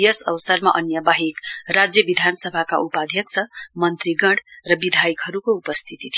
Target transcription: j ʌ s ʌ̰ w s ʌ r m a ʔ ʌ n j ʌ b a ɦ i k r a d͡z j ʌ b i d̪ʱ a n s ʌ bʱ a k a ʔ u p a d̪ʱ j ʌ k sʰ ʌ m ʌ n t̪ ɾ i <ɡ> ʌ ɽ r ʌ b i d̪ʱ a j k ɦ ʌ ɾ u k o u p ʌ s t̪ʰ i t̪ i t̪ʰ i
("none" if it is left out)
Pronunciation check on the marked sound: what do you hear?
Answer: ɡ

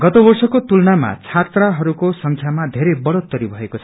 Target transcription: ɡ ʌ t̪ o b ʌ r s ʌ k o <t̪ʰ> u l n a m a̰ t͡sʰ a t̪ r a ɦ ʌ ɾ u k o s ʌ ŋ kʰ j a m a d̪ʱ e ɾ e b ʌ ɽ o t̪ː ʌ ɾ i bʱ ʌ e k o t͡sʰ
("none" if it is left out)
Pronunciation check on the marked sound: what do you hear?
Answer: t̪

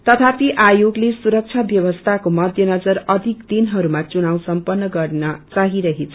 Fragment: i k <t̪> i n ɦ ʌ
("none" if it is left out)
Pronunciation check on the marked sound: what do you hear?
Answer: d̪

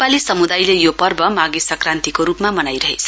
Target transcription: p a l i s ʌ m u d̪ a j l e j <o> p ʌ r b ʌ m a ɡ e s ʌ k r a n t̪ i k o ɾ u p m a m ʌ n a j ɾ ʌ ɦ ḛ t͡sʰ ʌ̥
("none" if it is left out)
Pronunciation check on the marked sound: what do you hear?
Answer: o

